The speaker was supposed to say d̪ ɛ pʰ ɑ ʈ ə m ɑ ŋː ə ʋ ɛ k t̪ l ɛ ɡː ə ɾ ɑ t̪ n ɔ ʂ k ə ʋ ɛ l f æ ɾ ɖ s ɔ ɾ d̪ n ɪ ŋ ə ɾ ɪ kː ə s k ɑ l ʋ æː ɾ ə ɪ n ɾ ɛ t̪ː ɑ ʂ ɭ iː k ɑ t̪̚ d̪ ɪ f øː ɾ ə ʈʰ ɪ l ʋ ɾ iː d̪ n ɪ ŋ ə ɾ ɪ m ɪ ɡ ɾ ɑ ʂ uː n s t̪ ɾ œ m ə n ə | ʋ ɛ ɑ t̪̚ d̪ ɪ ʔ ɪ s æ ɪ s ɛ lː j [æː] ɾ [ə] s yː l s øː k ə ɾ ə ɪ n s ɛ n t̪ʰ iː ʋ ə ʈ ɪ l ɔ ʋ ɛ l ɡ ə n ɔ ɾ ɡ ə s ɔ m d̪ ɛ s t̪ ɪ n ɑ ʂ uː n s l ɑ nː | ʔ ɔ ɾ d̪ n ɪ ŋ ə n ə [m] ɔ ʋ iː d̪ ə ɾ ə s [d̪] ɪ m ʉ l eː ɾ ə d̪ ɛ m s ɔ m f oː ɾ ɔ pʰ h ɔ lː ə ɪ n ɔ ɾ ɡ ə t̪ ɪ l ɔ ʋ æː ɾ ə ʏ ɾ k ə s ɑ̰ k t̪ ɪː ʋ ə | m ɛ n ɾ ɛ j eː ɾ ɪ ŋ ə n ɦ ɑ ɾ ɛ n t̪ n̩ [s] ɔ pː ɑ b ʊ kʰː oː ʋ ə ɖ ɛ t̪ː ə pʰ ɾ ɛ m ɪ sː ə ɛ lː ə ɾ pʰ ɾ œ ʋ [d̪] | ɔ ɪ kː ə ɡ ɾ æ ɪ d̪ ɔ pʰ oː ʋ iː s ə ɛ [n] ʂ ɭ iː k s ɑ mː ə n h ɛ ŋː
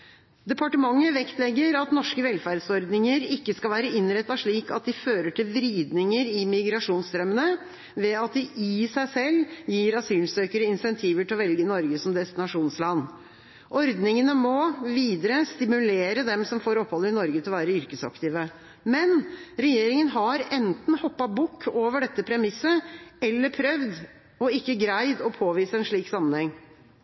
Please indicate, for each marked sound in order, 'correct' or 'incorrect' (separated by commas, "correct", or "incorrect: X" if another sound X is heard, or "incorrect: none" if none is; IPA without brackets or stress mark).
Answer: incorrect: iː, incorrect: ɑ, correct, incorrect: t̪, incorrect: h, correct, correct